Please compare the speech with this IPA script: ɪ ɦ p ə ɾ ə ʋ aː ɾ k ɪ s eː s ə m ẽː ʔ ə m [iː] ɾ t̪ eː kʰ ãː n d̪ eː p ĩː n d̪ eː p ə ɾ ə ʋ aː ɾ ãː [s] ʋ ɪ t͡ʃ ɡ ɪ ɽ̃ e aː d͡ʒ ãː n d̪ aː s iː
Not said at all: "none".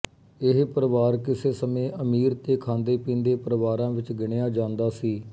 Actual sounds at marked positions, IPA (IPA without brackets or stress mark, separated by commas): iː, none